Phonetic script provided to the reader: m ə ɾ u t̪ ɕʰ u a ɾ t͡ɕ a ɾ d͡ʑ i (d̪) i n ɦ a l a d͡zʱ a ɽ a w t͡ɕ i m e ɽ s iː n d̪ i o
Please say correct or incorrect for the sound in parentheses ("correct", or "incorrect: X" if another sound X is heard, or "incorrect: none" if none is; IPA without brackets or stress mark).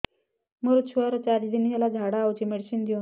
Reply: correct